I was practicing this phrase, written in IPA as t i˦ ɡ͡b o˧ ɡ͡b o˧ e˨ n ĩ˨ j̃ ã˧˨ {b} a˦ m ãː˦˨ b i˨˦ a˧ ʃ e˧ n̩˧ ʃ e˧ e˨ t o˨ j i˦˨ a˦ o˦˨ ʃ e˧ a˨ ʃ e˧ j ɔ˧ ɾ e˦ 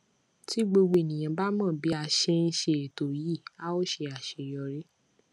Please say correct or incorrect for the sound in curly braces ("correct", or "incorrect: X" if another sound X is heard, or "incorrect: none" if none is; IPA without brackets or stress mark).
correct